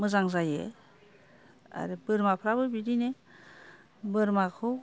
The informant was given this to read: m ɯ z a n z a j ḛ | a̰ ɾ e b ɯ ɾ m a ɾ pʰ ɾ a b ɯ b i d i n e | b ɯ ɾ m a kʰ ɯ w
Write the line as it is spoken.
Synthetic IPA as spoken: m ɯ z a ŋ z a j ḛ | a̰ ɾ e b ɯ ɾ m a pʰ ɾ a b ɯ b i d i n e | b ɯ ɾ m a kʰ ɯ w